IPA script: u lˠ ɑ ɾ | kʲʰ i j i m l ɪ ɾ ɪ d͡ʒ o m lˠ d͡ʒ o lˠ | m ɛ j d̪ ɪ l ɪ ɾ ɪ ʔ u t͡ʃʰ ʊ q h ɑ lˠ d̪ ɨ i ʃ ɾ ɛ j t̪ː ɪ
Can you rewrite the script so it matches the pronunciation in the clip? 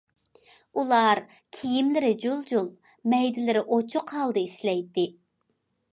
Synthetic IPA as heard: u lˠ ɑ ɾ | kʲʰ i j i m l ɪ ɾ ɪ d͡ʒ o lˠ d͡ʒ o lˠ | m ɛ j d̪ ɪ l ɪ ɾ ɪ ʔ o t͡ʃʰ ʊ q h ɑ lˠ d̪ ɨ i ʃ l ɛ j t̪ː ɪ